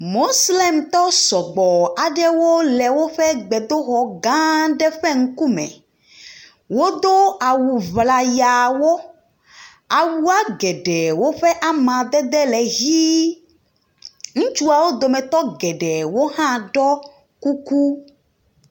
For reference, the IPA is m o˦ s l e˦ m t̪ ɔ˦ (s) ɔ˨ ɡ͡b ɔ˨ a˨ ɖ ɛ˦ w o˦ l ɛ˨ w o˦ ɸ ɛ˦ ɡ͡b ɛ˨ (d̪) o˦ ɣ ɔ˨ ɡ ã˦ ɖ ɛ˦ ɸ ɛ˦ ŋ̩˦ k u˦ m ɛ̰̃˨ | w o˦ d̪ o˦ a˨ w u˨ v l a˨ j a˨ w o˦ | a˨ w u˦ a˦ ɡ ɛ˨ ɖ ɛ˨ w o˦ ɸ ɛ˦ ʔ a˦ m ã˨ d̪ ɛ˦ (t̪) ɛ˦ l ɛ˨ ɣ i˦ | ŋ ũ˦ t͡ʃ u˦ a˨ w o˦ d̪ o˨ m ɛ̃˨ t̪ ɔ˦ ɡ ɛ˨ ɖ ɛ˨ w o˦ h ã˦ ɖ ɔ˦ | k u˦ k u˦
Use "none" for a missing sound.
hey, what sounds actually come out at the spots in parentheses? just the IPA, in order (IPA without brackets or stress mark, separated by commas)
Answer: s, d̪, d̪